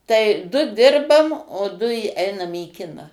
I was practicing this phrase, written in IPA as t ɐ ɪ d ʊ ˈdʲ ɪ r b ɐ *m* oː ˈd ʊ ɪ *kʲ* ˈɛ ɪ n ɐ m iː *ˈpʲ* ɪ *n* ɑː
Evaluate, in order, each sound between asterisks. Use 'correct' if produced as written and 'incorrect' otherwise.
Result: correct, incorrect, incorrect, correct

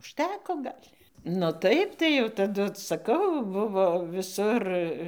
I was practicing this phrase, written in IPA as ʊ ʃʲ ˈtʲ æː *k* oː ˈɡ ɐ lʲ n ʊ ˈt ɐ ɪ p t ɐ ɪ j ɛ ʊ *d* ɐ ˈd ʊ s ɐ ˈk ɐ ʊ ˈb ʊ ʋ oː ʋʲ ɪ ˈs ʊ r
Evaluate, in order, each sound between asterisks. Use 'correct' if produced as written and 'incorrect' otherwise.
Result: correct, incorrect

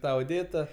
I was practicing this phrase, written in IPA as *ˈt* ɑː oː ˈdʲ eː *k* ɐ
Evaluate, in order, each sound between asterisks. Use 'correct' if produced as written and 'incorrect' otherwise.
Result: correct, incorrect

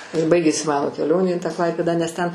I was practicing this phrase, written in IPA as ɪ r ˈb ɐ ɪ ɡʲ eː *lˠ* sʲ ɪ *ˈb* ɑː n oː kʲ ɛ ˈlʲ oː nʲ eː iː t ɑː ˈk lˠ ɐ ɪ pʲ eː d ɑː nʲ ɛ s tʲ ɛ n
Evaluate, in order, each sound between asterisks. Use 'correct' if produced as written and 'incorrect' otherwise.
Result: incorrect, incorrect

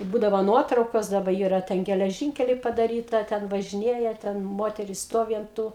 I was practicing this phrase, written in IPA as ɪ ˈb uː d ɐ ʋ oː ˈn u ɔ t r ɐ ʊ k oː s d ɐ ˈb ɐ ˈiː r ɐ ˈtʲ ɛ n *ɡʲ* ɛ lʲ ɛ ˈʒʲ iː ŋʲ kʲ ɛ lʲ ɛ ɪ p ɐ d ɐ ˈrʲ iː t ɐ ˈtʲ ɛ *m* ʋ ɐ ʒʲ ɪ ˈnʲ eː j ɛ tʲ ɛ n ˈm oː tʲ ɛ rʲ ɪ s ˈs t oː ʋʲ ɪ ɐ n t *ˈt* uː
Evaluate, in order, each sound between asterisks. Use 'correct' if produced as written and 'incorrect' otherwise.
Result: correct, incorrect, correct

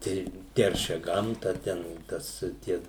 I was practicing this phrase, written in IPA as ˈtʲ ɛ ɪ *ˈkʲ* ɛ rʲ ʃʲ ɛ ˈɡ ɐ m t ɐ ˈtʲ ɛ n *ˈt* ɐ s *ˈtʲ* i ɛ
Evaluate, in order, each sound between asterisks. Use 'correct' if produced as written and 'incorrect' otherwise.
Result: incorrect, correct, correct

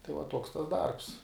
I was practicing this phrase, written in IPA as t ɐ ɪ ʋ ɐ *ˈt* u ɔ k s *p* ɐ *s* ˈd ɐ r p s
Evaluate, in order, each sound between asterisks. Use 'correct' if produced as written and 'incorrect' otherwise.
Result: correct, incorrect, correct

